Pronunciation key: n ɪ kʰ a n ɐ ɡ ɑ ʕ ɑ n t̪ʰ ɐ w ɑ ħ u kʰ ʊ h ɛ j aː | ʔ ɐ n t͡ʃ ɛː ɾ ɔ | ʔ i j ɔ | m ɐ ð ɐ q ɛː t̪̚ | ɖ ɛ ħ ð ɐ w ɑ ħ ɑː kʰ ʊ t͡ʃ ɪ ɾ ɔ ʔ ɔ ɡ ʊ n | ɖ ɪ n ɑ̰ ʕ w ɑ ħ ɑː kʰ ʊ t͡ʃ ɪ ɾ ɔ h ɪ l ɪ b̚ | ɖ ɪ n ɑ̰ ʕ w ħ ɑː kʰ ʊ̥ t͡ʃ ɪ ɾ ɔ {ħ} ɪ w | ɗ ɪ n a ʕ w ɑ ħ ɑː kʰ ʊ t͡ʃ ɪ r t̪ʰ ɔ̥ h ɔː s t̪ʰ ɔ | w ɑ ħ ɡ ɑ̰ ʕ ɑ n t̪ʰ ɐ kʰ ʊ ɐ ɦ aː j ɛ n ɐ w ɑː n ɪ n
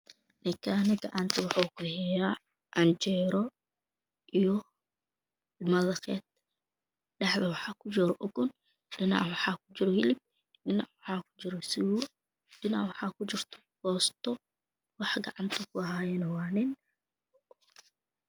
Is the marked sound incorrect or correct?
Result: incorrect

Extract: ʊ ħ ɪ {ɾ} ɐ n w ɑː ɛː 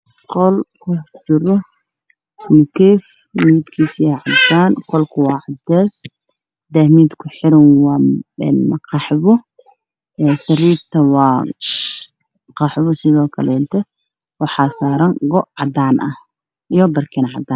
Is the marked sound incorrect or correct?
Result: correct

